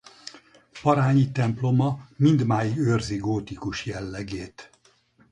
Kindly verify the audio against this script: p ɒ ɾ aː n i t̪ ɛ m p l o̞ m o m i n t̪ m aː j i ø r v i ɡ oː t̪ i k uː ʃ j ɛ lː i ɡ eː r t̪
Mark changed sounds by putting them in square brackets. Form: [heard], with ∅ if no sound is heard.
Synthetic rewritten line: p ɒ ɾ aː [ɲ] i t̪ ɛ m p l o̞ m [ɒ] m i n [d̪] m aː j i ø r [z] i ɡ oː t̪ i k [u] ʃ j ɛ lː [ɛ] ɡ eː [∅] t̪